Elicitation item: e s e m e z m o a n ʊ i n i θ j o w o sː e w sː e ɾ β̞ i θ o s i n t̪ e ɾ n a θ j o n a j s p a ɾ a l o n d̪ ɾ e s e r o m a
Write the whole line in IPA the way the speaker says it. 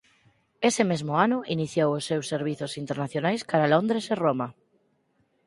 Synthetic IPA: e s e m e z m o a n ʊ i n i θ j o w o sː e w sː e ɾ β̞ i θ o s i n t̪ e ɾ n a θ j o n a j s k a ɾ a l o n d̪ ɾ e s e r o m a